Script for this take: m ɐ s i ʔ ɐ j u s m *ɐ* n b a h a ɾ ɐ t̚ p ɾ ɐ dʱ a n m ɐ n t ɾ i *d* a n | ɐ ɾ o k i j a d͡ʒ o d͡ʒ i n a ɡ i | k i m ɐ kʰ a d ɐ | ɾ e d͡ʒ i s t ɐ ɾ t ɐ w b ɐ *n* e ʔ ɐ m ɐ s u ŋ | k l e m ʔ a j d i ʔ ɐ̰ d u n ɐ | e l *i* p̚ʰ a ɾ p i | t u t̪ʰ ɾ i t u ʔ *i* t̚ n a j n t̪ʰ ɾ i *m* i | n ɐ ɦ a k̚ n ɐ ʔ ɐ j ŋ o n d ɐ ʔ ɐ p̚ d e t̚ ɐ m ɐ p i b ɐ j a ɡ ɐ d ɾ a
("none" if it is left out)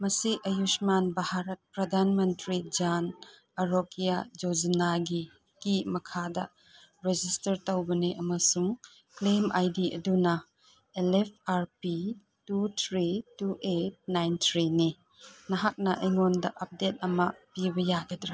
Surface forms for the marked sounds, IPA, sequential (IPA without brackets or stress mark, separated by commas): a, d͡ʒ, n, e, e, n